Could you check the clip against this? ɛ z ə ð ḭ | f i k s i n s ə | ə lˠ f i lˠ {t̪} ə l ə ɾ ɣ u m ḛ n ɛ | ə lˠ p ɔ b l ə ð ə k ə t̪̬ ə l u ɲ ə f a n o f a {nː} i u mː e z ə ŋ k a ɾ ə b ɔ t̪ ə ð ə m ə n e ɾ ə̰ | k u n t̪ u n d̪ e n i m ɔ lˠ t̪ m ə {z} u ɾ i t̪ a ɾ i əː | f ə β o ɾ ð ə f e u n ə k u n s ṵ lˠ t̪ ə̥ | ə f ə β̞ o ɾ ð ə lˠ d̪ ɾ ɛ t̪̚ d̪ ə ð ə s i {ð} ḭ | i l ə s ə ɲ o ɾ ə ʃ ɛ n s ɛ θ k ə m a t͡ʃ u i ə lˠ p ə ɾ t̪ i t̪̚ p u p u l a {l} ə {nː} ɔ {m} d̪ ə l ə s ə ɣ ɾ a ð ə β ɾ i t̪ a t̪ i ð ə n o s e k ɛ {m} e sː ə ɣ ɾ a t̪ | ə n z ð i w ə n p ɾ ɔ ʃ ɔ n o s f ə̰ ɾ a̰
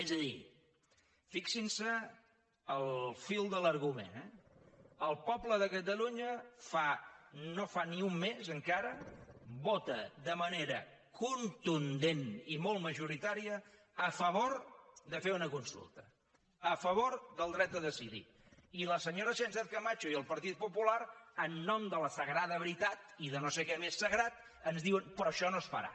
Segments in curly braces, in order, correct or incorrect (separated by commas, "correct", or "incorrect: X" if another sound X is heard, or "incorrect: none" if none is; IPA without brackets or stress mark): incorrect: d̪, incorrect: n, incorrect: ʒ, correct, incorrect: ɾ, correct, correct, correct